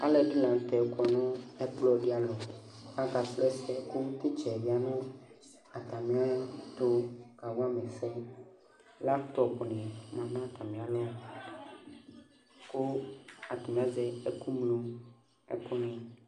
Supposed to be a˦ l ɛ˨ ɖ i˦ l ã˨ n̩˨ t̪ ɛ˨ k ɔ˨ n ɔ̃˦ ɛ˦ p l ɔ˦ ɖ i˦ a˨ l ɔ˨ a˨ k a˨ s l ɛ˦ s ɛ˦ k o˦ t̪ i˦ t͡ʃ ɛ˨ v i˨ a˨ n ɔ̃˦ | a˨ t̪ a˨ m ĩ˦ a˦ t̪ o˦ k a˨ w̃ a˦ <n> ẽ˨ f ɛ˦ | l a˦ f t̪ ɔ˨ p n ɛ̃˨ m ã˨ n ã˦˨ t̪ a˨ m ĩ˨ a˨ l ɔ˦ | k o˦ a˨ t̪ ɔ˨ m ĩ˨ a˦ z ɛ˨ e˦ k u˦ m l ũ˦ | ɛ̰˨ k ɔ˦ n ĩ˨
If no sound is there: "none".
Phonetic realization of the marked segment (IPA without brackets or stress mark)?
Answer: m